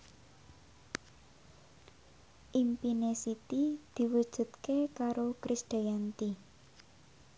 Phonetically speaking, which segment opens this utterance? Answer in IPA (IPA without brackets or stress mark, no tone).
ʔ